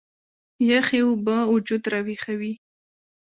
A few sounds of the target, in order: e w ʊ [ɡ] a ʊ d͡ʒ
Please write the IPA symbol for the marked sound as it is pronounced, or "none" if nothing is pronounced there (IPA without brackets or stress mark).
b